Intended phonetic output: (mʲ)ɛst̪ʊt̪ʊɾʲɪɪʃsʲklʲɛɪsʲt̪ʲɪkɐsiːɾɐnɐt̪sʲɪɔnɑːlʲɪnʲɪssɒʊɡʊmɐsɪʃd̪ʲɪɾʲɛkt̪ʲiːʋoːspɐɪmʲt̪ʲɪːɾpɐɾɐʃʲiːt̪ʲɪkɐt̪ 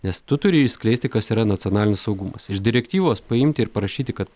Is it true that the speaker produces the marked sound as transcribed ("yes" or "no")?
no